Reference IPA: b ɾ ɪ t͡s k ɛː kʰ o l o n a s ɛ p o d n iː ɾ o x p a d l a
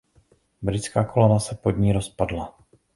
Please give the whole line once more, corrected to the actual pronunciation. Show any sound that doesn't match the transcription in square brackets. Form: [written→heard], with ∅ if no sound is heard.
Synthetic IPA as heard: b ɾ ɪ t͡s k [ɛː→aː] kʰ o l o n a s ɛ p o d [n→ɲ] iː ɾ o [x→s] p a d l a